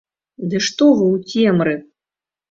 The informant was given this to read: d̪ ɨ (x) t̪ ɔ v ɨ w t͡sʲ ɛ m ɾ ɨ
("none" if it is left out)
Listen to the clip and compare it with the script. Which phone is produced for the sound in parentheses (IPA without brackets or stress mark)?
ʂ